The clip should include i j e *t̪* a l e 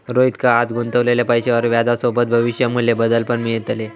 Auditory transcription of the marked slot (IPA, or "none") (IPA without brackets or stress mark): t̪